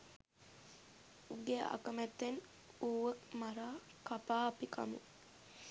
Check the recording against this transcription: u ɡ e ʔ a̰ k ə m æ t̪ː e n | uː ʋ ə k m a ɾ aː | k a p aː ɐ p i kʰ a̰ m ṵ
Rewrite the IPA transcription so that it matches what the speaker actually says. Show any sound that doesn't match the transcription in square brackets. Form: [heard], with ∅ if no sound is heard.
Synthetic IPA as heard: u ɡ e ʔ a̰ k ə m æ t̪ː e n | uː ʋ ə k m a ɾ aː | k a p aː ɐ p i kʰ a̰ m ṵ